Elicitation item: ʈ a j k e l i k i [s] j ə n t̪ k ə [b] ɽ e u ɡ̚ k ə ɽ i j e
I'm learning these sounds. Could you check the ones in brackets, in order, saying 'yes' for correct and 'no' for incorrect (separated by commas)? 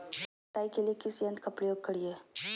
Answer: yes, no